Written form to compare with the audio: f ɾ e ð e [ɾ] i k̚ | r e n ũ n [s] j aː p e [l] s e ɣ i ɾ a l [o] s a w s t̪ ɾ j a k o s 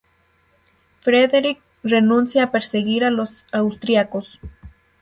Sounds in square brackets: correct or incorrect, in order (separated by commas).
correct, correct, incorrect, correct